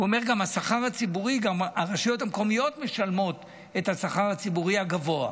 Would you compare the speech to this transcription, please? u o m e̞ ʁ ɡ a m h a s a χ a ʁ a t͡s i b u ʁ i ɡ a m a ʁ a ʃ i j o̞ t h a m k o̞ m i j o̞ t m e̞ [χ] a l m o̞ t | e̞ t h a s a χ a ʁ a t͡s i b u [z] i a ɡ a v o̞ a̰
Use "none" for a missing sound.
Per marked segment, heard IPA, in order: ʃ, ʁ

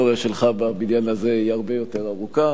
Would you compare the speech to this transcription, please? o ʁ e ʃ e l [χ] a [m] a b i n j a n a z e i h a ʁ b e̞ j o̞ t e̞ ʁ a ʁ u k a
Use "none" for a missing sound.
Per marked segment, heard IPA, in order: χ, b

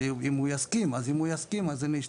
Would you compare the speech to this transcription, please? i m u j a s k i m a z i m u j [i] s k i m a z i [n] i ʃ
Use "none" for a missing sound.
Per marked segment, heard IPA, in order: a, n

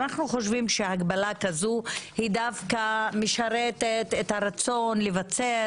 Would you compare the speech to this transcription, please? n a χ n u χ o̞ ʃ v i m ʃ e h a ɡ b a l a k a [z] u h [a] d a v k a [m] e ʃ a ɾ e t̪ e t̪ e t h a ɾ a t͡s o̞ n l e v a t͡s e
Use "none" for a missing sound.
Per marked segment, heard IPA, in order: z, i, m

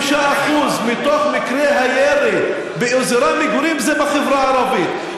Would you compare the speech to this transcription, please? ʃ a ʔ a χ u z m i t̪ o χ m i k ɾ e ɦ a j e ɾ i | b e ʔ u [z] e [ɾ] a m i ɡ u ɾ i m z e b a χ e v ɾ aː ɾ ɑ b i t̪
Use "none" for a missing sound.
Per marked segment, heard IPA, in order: z, ɾ

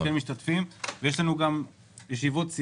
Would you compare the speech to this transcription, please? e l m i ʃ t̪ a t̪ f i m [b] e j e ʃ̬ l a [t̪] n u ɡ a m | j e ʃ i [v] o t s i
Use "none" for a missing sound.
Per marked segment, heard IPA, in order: v, none, v

